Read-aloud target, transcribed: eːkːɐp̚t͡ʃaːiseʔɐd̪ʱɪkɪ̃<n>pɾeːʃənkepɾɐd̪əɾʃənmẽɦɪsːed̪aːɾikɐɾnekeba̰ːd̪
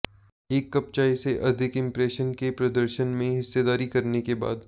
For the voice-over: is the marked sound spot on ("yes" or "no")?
no